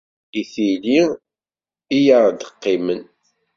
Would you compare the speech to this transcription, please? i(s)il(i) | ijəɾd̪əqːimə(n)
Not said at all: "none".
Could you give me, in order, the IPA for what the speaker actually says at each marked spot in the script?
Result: θ, i, n

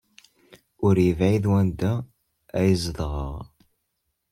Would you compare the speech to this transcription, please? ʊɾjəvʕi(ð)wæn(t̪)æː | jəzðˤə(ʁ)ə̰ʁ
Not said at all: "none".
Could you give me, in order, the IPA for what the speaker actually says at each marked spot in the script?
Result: ð, d̪, ʁ

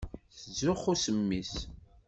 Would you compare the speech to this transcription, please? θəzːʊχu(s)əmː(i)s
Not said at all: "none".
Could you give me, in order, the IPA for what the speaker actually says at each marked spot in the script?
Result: s, i

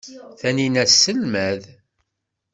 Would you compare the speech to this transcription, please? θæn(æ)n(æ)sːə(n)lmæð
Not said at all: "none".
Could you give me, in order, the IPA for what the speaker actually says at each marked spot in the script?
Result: i, æ, none

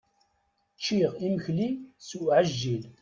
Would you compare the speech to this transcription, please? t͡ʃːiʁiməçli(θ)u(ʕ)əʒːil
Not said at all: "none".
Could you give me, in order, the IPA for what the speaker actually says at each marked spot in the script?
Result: s, ʕ

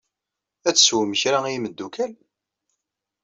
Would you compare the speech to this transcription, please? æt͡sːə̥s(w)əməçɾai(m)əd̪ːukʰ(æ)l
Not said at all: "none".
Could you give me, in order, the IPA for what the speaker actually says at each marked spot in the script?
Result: w, m, æ

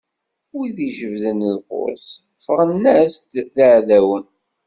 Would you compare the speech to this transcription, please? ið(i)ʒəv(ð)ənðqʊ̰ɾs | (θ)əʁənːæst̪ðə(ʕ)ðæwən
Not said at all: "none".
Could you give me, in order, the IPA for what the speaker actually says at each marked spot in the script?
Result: i, ð, f, ʕ

